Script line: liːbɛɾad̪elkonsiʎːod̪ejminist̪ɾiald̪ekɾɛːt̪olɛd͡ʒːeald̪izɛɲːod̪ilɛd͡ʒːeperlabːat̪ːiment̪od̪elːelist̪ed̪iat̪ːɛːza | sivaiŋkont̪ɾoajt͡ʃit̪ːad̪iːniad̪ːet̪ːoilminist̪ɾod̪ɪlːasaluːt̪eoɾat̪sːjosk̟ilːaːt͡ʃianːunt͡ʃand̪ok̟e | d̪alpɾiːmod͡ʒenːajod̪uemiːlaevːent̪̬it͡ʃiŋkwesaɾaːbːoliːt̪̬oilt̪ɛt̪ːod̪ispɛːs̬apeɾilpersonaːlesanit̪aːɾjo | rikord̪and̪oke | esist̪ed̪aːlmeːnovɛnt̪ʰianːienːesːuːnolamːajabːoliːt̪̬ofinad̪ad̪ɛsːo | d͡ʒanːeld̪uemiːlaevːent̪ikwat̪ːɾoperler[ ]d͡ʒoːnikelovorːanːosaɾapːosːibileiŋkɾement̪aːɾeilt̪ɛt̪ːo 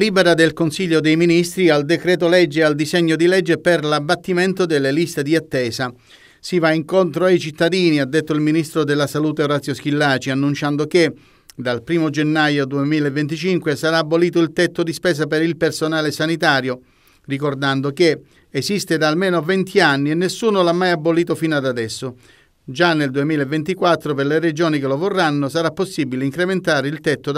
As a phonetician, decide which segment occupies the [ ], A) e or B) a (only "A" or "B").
A